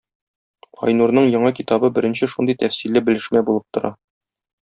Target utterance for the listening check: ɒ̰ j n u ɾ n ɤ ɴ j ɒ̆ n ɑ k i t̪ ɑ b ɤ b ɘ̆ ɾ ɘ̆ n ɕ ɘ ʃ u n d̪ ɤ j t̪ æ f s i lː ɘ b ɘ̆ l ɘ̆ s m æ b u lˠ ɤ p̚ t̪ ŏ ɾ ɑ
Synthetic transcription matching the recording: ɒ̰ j n u ɾ n ɤ ɴ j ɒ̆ ɴ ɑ k i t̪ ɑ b ɤ b ɘ̆ ɾ ɘ̆ n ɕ ɘ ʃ u n d̪ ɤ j t̪ æ f s i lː ɘ b ɘ̆ l ɘ̆ ʃ m æ b u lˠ ɤ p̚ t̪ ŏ ɾ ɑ